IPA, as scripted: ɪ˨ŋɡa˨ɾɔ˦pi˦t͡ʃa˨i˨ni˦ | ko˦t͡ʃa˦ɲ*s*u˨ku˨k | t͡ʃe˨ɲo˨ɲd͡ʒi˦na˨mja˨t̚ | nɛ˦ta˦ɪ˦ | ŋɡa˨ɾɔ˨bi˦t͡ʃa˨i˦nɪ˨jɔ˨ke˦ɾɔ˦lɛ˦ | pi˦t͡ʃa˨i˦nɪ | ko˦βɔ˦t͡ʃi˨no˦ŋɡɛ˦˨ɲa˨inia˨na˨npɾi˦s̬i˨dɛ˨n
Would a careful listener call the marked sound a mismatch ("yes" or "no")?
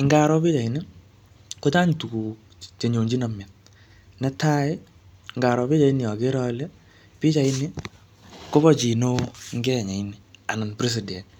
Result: yes